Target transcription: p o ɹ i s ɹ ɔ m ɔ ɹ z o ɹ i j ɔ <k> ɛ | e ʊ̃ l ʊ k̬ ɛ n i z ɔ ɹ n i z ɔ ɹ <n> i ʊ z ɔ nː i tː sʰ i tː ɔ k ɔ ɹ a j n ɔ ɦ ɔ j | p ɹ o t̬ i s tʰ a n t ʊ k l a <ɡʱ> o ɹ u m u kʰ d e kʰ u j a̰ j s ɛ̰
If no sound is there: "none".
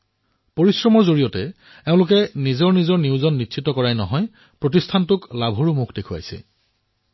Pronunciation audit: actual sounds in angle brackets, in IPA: t, n, bʱ

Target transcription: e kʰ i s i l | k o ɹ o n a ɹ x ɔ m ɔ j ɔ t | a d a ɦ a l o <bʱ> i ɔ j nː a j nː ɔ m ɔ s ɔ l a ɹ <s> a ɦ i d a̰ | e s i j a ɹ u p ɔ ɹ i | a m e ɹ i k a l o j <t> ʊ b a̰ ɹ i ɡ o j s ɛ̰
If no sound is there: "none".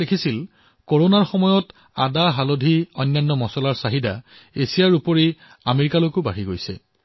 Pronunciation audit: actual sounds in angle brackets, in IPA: dʱ, s, k

